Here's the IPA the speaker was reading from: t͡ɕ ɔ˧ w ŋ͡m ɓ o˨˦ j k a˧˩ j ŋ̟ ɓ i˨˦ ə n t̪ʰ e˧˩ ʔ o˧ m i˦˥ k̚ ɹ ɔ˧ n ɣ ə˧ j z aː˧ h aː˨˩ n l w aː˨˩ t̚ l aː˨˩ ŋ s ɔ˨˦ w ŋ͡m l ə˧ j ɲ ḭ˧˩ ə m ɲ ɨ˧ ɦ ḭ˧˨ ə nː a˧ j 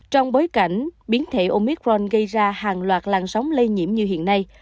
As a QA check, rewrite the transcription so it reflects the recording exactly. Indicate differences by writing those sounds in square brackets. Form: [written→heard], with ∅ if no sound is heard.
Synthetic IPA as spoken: t͡ɕ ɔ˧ w ŋ͡m ɓ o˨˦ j k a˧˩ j ŋ̟ ɓ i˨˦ ə n t̪ʰ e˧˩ ʔ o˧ m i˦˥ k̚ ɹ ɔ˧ n ɣ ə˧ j z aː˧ h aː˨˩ [n→ŋ] l w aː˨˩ t̚ l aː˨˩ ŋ s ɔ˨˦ w ŋ͡m l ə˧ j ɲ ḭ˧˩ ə m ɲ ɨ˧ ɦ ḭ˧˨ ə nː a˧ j

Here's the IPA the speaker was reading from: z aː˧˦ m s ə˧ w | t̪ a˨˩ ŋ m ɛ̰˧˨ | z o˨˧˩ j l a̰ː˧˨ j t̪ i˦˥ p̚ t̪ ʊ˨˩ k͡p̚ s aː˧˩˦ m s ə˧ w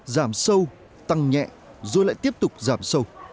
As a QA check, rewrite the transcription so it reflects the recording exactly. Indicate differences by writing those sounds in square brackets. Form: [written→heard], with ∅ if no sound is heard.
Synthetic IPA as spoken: z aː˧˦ m s ə˧ w | t̪ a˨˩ ŋ [m→ɲ] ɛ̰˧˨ | z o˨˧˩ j l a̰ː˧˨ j t̪ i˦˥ p̚ t̪ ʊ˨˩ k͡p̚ [s→z] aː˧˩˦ m s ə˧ w

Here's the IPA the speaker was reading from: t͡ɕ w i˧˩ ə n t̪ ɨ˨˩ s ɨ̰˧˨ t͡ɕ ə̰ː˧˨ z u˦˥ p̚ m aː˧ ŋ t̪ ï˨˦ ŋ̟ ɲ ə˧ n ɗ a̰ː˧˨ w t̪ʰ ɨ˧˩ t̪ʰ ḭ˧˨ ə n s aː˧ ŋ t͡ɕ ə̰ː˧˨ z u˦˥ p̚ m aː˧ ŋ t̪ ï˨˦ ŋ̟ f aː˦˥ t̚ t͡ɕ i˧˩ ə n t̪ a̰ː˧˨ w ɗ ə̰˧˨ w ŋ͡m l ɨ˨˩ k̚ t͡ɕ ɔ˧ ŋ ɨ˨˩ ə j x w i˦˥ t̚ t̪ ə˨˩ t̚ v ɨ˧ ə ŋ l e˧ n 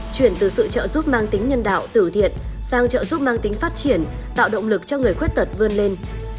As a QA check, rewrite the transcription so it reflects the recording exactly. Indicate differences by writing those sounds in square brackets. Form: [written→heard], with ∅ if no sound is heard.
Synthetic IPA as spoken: t͡ɕ w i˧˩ ə n t̪ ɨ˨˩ s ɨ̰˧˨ t͡ɕ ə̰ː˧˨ z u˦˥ p̚ m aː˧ ŋ t̪ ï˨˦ ŋ̟ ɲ ə˧ n ɗ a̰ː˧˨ w [t̪ʰ→t̪] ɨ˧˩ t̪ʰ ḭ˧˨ ə n s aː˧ ŋ t͡ɕ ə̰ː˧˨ z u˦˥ p̚ m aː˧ ŋ t̪ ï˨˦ ŋ̟ f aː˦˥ t̚ t͡ɕ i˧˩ ə n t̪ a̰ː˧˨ w ɗ ə̰˧˨ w ŋ͡m l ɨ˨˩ k̚ t͡ɕ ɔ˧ ŋ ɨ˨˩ ə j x w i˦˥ t̚ t̪ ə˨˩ t̚ v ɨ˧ ə [ŋ→n] l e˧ n

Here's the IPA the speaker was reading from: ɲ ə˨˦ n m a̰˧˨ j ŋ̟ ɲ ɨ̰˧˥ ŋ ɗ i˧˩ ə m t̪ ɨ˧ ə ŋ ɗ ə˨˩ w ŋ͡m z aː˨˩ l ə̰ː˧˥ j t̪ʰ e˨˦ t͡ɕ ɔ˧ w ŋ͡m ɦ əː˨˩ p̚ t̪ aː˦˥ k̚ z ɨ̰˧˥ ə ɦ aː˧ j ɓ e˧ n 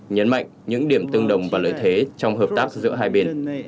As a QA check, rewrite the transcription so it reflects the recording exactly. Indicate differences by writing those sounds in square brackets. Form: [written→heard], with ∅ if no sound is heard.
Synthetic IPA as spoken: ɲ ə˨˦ n m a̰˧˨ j ŋ̟ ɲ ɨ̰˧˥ ŋ ɗ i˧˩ ə m t̪ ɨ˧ ə ŋ ɗ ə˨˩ w ŋ͡m [z→v] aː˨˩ l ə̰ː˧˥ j t̪ʰ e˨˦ t͡ɕ ɔ˧ w ŋ͡m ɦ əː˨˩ p̚ t̪ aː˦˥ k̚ z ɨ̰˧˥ ə ɦ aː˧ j ɓ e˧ n

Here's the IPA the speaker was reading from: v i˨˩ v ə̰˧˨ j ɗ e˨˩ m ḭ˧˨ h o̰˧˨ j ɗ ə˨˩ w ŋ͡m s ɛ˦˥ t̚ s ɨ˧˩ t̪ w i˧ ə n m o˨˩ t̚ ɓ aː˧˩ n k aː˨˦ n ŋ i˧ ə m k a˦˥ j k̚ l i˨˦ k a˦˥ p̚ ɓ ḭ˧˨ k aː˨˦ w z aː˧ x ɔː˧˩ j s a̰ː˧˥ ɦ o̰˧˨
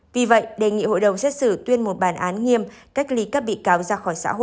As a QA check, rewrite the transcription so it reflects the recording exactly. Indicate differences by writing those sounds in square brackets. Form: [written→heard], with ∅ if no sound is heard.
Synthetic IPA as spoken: v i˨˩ v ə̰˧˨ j ɗ e˨˩ [m→ŋ] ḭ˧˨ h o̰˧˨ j ɗ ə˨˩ w ŋ͡m s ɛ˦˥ t̚ s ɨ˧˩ t̪ w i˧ ə n m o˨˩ t̚ ɓ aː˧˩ n [k→ʔ] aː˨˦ n ŋ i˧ ə m k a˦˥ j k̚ l i˨˦ k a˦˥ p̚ ɓ ḭ˧˨ k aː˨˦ w z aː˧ x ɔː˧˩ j s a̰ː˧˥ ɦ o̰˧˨

